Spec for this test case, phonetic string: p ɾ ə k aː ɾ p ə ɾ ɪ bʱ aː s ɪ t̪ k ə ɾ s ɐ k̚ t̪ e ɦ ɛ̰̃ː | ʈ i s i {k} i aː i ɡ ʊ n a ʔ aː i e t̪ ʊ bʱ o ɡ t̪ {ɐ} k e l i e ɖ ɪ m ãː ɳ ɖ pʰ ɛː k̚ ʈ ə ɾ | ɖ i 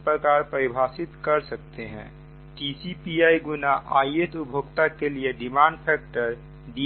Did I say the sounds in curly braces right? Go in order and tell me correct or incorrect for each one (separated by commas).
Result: incorrect, incorrect